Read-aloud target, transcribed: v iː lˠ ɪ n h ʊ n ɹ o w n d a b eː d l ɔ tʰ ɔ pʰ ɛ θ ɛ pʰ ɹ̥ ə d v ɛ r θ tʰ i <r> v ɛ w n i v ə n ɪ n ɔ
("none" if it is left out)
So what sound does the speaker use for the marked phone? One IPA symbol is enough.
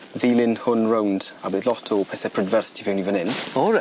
none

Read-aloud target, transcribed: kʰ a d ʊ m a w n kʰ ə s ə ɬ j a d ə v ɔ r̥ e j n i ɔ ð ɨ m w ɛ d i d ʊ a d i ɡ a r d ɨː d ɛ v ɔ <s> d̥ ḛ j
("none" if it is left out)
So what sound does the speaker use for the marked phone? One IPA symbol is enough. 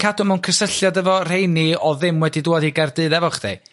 χ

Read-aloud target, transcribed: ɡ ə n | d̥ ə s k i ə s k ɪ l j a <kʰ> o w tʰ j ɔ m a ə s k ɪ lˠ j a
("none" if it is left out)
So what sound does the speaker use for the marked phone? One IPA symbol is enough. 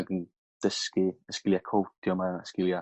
kʰ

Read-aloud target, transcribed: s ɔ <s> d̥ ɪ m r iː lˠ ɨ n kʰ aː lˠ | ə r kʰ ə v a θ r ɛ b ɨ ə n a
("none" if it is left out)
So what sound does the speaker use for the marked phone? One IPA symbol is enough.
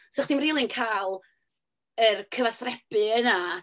χ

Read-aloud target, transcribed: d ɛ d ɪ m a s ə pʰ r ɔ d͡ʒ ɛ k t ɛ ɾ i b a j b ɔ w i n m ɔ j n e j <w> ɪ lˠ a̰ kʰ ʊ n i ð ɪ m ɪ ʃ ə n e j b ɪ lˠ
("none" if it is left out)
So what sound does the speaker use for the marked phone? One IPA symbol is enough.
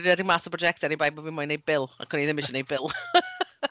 b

